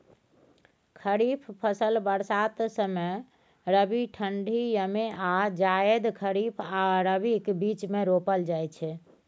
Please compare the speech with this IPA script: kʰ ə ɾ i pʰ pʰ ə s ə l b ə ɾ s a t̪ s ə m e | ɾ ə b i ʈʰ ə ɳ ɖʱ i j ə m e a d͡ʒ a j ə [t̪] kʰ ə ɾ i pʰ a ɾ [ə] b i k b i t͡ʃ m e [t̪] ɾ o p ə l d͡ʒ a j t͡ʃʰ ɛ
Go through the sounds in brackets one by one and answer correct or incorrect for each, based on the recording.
incorrect: d̪, correct, incorrect: none

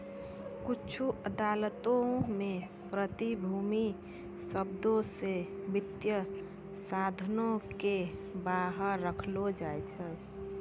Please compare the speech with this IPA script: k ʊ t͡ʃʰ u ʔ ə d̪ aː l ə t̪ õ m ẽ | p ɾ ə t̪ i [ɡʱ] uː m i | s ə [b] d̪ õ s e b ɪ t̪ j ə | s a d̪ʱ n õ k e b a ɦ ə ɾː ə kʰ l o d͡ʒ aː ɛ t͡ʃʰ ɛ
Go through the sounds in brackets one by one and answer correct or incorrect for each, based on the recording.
incorrect: bʱ, correct

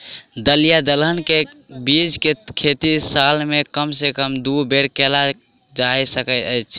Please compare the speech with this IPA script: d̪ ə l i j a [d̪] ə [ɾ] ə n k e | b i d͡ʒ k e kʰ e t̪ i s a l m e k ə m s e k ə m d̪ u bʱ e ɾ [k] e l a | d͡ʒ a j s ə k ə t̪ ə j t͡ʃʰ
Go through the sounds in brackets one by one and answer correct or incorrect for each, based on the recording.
correct, incorrect: l, correct

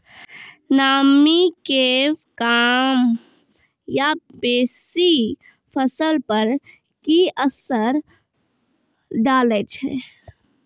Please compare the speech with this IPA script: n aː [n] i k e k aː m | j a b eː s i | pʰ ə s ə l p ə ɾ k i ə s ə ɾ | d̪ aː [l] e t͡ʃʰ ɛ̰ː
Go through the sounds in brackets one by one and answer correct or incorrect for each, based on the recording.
incorrect: m, correct

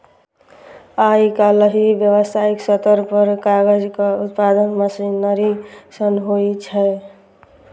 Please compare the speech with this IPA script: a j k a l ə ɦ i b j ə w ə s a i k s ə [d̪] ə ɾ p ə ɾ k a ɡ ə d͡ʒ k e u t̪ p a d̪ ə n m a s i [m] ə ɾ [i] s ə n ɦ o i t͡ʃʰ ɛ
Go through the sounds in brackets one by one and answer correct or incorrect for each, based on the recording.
incorrect: t̪, incorrect: n, correct

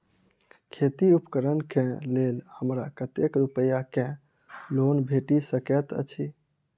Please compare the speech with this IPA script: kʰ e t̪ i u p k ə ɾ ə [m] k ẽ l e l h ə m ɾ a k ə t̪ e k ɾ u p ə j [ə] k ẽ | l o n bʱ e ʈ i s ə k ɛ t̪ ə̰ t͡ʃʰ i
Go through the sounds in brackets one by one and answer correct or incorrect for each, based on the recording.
incorrect: n, incorrect: a

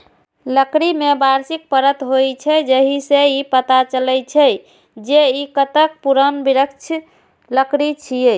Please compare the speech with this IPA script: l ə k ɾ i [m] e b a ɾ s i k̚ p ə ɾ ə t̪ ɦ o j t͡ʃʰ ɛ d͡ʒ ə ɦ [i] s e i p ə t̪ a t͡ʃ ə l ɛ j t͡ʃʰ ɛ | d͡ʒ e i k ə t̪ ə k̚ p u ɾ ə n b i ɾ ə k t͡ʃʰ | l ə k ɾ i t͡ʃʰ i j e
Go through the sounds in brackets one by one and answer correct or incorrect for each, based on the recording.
correct, correct

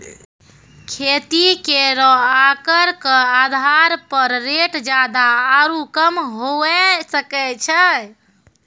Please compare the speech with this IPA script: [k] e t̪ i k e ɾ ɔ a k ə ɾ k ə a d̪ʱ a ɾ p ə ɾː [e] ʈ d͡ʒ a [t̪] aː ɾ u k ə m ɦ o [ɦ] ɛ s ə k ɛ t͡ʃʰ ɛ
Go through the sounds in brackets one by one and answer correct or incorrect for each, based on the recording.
incorrect: kʰ, correct, incorrect: d̪, incorrect: none

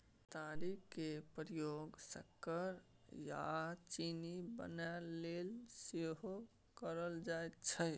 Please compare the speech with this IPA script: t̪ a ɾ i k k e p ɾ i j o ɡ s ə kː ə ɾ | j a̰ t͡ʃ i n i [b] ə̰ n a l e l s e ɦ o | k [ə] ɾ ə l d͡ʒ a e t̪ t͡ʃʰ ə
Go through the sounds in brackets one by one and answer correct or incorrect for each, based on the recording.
correct, correct

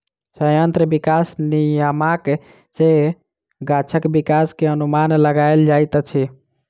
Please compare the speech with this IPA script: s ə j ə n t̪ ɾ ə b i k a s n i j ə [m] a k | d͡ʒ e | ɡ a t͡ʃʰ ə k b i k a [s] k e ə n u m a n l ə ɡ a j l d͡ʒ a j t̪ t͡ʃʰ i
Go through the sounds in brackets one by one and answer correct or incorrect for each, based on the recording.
correct, correct

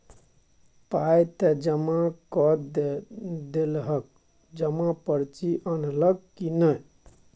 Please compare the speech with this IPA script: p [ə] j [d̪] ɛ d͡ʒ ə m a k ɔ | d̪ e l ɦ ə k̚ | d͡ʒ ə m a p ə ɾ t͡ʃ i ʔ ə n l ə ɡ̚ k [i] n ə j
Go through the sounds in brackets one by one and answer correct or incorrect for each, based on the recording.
incorrect: a, incorrect: t̪, correct

